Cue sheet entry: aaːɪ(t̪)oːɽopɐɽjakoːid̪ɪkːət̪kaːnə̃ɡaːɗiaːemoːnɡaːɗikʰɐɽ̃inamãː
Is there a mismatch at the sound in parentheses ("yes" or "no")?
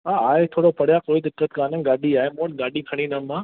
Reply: yes